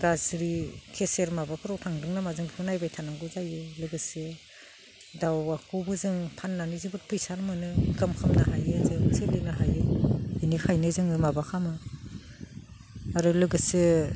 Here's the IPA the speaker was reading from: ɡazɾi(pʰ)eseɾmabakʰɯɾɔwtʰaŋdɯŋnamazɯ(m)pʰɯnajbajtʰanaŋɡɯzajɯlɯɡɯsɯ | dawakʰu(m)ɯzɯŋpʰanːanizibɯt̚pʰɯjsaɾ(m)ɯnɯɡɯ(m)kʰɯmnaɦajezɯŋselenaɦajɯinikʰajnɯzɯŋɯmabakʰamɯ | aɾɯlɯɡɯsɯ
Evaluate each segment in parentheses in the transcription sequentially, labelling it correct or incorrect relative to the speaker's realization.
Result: incorrect, incorrect, incorrect, correct, correct

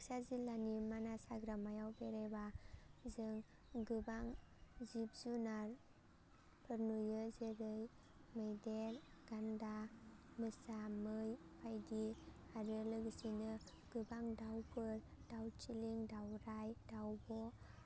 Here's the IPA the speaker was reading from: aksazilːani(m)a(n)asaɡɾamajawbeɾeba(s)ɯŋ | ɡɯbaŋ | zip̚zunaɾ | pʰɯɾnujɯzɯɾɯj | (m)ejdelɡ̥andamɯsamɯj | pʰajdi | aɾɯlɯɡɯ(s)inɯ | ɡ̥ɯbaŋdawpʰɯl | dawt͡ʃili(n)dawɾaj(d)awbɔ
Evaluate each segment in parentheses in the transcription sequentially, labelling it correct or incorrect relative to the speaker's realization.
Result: correct, correct, incorrect, correct, correct, incorrect, correct

